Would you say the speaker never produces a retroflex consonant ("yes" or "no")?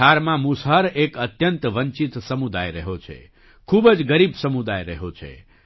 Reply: yes